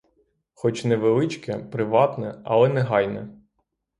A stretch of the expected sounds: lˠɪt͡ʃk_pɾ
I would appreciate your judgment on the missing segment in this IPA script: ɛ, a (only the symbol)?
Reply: ɛ